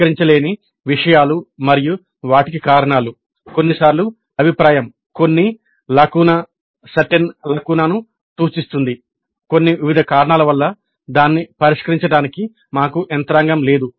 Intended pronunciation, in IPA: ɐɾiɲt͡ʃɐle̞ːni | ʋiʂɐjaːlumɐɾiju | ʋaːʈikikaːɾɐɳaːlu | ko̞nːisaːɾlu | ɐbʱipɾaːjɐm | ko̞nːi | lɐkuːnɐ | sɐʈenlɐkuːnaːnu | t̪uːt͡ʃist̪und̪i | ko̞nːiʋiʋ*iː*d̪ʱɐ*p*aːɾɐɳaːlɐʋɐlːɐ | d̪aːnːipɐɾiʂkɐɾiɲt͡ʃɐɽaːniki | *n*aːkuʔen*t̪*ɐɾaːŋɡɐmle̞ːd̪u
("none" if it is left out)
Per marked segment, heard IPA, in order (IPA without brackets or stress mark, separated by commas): i, k, m, t̪